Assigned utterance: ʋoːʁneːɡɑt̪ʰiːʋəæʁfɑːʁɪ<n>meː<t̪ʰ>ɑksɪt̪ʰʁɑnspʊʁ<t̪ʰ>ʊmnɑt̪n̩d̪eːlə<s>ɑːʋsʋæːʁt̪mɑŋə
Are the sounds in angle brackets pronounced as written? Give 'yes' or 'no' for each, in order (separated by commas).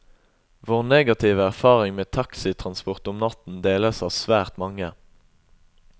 no, yes, no, yes